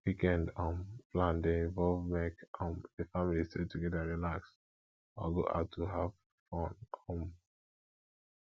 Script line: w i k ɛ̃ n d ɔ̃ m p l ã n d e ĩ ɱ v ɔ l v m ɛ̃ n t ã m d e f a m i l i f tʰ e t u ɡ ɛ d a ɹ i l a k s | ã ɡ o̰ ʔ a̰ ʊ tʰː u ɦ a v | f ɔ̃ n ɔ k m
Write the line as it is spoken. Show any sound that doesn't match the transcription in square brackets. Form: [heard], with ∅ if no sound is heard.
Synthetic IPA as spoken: w i k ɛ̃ n d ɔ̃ m p l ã n d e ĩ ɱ v ɔ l v m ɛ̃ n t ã m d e f a m i l i [s] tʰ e t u ɡ ɛ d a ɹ i l a k s | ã ɡ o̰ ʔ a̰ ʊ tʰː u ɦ a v | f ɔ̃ n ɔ [∅] m